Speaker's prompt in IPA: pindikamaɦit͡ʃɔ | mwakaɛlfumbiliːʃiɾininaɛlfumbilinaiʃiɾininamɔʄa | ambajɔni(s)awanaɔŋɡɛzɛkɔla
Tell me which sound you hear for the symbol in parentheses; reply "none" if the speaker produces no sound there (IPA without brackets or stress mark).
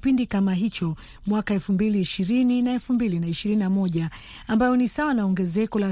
s